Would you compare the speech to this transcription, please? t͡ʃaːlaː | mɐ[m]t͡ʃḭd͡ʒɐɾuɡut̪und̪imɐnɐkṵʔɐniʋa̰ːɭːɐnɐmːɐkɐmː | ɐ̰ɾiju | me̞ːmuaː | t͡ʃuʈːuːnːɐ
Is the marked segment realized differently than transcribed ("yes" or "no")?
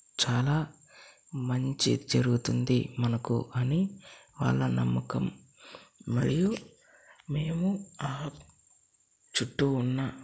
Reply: yes